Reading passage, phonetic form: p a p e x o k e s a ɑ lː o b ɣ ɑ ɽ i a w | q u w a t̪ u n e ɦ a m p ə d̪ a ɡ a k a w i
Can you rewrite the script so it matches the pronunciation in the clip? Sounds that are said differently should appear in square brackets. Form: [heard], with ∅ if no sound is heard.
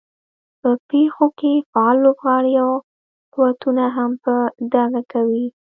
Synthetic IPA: p [ə] p e x o k e [f] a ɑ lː o b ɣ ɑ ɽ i a w | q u w a t̪ u n [a] ɦ a m p ə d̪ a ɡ a k a w i